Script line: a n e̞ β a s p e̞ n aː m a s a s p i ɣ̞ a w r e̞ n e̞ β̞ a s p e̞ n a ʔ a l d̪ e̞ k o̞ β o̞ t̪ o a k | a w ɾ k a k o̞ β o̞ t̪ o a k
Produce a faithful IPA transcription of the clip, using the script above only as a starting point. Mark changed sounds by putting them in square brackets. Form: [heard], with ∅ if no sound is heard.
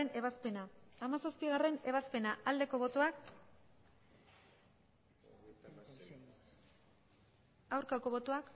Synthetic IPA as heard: [e] n e̞ β a s p e̞ n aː m a s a s p i ɣ̞ a [∅] r e̞ n e̞ β̞ a s p e̞ n a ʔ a l d̪ e̞ k o̞ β o̞ t̪ o a k | a w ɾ k a k o̞ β o̞ t̪ o a k

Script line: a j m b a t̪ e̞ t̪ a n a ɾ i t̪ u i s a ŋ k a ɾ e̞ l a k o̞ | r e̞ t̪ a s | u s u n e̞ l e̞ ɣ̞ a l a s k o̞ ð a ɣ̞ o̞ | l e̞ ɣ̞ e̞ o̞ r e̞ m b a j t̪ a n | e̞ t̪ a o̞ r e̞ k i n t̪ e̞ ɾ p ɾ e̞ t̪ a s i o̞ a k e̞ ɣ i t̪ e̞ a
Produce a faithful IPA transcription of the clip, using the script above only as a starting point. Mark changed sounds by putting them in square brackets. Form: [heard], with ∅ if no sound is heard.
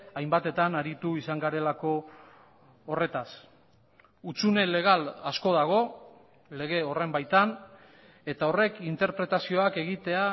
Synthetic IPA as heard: a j m b a t̪ e̞ t̪ a n a ɾ i t̪ u i s a ŋ [ɡ] a ɾ e̞ l a k o̞ | r e̞ t̪ a s | u [t͡s] u n e̞ l e̞ ɣ̞ a l a s k o̞ ð a ɣ̞ o̞ | l e̞ ɣ̞ e̞ o̞ r e̞ m b a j t̪ a n | e̞ t̪ a o̞ r e̞ k i n t̪ e̞ ɾ p ɾ e̞ t̪ a s i o̞ a k e̞ ɣ i t̪ e̞ a

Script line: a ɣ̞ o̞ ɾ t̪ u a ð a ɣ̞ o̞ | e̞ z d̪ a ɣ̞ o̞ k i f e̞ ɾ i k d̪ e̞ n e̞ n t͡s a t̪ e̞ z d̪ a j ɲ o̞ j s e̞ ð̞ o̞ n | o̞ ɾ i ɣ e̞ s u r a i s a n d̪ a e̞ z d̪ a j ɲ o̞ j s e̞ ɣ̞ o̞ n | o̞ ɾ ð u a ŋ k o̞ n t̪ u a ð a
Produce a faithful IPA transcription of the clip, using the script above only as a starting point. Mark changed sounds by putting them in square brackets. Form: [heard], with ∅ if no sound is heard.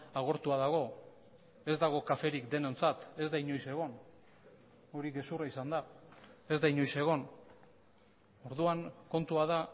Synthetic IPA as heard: a ɣ̞ o̞ ɾ t̪ u a ð a ɣ̞ o̞ | e̞ z d̪ a ɣ̞ o̞ k [a] f e̞ ɾ i k d̪ e̞ n e̞ n t͡s a t̪ e̞ z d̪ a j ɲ o̞ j s e̞ [ɣ̞] o̞ n | o̞ ɾ i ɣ e̞ s u r a i s a n d̪ a e̞ z d̪ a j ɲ o̞ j s e̞ ɣ̞ o̞ n | o̞ ɾ ð u a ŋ k o̞ n t̪ u a ð a

